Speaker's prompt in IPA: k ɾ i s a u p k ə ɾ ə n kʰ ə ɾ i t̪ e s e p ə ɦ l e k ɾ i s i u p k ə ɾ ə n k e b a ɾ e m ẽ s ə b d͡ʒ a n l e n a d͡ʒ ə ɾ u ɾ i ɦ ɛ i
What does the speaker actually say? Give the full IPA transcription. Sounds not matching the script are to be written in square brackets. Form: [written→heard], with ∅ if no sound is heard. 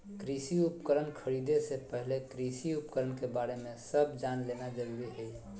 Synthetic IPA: k ɾ i s [a→i] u p k ə ɾ ə n kʰ ə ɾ i [t̪→d̪] e s e p ə ɦ l e k ɾ i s i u p k ə ɾ ə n k e b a ɾ e m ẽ s ə b d͡ʒ a n l e n a d͡ʒ ə ɾ u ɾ i ɦ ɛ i